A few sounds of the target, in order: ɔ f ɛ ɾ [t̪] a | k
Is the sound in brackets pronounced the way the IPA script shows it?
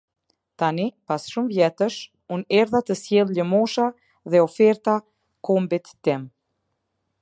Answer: yes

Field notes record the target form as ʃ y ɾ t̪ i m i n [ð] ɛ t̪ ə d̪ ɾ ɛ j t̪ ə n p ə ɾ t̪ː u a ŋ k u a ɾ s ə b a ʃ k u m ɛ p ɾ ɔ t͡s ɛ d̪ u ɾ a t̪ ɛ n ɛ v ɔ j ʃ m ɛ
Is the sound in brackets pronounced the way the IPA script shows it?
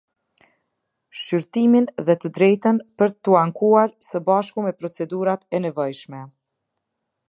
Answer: yes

